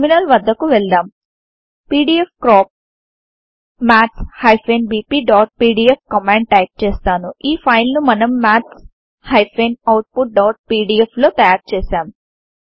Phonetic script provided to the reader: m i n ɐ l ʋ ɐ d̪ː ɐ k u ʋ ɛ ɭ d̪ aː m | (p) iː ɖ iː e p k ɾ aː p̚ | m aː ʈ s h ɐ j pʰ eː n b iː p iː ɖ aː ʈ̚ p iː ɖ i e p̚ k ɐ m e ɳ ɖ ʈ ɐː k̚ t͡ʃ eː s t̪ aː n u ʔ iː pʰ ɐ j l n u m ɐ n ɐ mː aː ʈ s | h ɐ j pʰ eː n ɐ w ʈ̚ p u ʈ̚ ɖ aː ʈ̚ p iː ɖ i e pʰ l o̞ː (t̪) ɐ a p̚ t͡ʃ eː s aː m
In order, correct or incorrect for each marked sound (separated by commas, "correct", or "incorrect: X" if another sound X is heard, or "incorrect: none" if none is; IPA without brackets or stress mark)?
correct, correct